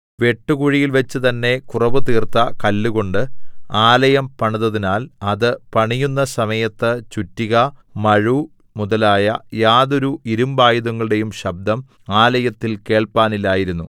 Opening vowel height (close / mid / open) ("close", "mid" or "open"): mid